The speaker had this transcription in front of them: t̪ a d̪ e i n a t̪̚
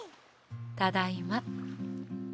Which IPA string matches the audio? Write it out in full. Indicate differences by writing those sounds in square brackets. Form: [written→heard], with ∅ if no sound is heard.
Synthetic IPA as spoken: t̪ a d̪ [e→a] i [n→m] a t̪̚